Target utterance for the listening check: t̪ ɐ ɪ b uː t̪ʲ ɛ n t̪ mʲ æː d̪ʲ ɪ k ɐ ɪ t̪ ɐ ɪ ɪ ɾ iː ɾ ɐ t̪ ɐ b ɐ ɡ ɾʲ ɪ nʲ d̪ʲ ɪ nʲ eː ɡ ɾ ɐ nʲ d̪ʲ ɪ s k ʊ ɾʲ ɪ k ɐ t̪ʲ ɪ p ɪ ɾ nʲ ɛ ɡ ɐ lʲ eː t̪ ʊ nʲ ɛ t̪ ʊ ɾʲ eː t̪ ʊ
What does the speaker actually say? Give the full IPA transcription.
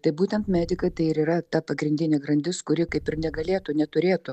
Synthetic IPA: t̪ ɐ ɪ b uː t̪ʲ ɛ n t̪ mʲ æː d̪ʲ ɪ k ɐ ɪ t̪ ɐ ɪ ɪ ɾ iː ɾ ɐ t̪ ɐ p ɐ ɡ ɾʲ ɪ nʲ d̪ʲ ɪ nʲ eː ɡ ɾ ɐ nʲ d̪ʲ ɪ s k ʊ ɾʲ ɪ k ɐ ɪ p ɪ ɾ nʲ ɛ ɡ ɐ lʲ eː t̪ ʊ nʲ ɛ t̪ ʊ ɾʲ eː t̪ ʊ